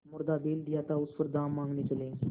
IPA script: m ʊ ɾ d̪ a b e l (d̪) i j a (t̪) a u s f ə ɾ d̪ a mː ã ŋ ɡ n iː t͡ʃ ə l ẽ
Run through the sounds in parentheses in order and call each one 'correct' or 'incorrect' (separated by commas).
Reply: correct, correct